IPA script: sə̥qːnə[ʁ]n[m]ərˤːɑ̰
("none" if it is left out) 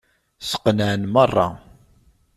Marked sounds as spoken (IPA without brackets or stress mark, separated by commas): ʕ, m